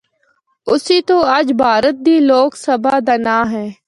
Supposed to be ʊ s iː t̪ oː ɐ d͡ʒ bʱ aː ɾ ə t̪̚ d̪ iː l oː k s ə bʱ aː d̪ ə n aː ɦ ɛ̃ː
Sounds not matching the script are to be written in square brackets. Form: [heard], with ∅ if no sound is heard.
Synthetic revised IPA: ʊ s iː t̪ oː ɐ d͡ʒ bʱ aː ɾ ə t̪̚ d̪ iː l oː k s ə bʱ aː d̪ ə n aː ɦ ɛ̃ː

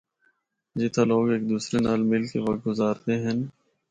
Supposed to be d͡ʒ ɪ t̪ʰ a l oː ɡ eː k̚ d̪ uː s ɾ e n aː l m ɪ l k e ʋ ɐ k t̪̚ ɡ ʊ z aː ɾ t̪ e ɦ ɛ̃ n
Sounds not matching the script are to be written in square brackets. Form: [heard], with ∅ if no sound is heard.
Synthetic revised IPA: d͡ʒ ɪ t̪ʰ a l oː ɡ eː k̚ d̪ uː s ɾ e n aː l m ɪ l k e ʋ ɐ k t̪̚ ɡ ʊ z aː ɾ t̪ e ɦ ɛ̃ n

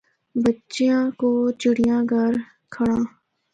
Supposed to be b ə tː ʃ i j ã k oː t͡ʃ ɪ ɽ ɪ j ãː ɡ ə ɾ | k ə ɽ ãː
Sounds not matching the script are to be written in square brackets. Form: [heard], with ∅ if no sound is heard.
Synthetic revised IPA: b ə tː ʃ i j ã k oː t͡ʃ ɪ ɽ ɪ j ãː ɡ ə ɾ | [kʰ] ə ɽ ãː

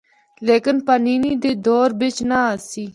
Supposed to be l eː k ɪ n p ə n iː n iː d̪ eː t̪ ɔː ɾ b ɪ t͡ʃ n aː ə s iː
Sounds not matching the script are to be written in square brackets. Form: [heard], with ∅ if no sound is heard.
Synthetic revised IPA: l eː k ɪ n p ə n iː n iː d̪ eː [d̪] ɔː ɾ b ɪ t͡ʃ n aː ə s iː

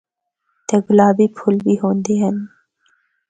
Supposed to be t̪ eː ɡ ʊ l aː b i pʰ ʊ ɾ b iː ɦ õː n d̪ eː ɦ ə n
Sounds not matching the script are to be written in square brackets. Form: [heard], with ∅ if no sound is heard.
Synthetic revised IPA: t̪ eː ɡ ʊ l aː b i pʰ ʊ [l] b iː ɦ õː n d̪ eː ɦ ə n

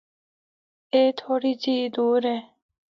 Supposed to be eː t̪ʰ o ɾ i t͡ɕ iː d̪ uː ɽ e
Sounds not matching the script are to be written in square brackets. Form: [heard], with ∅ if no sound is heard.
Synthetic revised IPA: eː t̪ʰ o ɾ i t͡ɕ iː d̪ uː [ɾ] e

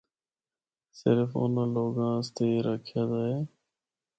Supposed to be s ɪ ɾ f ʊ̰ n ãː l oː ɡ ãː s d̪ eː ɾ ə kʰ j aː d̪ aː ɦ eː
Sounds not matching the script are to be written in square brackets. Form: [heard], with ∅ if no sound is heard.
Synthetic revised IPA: s ɪ ɾ f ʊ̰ n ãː l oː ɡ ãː s [t̪] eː ɾ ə kʰ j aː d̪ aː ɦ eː

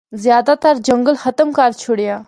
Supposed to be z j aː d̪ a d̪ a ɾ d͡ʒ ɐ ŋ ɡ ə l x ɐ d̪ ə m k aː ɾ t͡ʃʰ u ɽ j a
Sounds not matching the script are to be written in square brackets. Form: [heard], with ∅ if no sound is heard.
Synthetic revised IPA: z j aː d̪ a [t̪] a ɾ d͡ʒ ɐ ŋ ɡ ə l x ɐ [t̪] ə m k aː ɾ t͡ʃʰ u ɽ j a

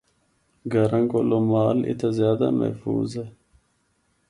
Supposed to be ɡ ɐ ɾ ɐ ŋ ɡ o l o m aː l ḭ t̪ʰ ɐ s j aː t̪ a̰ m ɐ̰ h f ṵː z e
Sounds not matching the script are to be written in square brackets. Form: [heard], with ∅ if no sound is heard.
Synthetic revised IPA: ɡ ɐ ɾ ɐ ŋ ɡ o l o m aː l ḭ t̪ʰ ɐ [z] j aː [d̪] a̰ m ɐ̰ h f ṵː z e

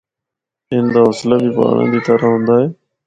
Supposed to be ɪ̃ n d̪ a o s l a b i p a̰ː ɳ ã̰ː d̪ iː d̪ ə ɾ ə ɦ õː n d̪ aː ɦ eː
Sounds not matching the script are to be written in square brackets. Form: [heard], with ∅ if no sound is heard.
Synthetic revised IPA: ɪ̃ n d̪ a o s l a b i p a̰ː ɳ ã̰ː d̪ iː [t̪] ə ɾ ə ɦ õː n d̪ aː ɦ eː

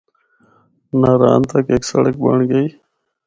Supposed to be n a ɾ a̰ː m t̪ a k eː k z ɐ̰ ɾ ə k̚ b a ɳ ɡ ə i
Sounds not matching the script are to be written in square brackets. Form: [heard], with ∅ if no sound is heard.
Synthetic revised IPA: n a ɾ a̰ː [n] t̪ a k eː k [s] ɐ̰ [ɽ] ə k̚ b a ɳ ɡ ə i

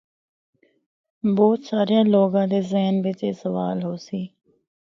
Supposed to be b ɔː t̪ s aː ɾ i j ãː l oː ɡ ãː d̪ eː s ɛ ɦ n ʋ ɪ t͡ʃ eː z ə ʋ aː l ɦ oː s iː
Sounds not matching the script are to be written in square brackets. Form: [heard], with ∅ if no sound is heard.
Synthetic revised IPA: b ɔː t̪ s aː ɾ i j ãː l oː ɡ ãː d̪ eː [z] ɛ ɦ n ʋ ɪ t͡ʃ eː [s] ə ʋ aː l ɦ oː s iː

